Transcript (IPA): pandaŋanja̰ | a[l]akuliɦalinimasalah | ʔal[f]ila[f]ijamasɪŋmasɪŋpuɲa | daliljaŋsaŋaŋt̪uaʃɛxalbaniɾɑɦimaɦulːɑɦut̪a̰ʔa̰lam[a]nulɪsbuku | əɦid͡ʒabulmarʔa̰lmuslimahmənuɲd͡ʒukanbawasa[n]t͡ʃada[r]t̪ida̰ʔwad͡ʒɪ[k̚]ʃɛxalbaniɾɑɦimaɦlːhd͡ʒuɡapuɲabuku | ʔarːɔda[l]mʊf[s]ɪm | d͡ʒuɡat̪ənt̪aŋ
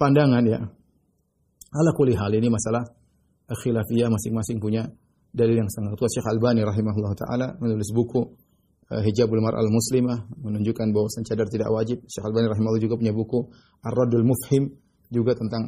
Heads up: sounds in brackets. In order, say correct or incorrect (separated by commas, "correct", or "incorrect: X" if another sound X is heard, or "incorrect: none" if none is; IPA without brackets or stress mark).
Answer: correct, incorrect: x, correct, incorrect: ə, correct, correct, incorrect: p̚, correct, incorrect: h